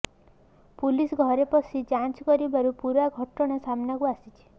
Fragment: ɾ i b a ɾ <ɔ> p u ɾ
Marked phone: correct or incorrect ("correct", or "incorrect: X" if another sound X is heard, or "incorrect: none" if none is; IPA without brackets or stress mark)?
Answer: incorrect: u